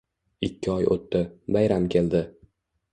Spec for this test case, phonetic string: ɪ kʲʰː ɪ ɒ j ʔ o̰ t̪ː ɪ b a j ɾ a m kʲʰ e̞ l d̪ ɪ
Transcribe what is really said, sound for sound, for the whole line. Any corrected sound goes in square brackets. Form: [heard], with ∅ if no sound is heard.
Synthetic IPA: ɪ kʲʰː ɪ ɒ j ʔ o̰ t̪ː ɪ b a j ɾ a m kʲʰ e̞ l d̪ ɪ